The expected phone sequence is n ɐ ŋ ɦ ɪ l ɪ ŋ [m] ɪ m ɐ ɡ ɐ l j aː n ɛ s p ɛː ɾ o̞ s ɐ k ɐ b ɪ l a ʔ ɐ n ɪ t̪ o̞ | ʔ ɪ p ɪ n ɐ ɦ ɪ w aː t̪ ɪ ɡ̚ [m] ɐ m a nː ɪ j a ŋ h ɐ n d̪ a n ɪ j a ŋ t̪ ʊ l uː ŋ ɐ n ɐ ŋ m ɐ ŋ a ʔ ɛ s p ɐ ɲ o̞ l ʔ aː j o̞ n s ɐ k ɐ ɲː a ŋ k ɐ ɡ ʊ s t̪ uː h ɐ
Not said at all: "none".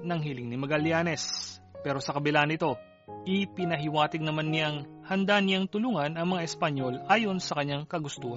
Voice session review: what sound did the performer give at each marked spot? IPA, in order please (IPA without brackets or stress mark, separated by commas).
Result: n, n